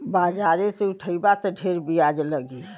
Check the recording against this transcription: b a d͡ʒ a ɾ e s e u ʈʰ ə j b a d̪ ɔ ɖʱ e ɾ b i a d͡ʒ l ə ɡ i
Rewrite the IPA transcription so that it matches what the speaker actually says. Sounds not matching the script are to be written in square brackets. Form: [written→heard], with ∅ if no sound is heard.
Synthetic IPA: b a d͡ʒ a ɾ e s e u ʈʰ ə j b a [d̪→t̪] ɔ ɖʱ e ɾ b i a d͡ʒ l ə ɡ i